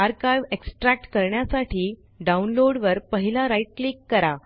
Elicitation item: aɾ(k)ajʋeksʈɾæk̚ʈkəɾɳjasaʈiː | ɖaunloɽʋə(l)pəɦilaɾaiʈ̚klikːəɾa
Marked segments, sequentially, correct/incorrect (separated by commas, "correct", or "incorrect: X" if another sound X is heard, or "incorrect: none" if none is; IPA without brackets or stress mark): correct, incorrect: ɾ